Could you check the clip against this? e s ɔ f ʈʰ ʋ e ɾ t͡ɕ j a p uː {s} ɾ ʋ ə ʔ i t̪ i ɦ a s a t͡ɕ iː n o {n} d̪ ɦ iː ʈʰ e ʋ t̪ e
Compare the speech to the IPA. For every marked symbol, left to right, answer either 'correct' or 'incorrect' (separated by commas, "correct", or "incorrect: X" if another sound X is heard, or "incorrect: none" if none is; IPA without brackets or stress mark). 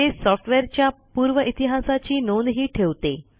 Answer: incorrect: none, correct